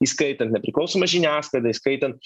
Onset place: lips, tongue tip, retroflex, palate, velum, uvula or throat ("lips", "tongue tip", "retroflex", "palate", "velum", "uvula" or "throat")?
tongue tip